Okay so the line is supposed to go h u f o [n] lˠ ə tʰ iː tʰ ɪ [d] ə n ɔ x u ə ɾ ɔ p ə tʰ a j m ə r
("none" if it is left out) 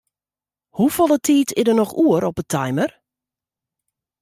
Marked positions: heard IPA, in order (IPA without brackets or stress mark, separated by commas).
none, d